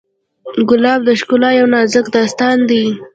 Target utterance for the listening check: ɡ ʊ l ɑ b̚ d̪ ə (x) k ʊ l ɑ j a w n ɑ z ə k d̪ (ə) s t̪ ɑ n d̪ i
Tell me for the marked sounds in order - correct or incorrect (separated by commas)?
incorrect, incorrect